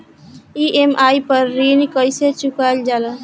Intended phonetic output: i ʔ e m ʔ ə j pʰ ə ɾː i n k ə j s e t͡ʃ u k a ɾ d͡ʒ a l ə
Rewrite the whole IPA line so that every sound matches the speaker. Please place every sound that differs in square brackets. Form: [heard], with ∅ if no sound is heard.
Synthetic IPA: i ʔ e m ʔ [a] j [p] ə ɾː i n k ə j s e t͡ʃ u k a [l] d͡ʒ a l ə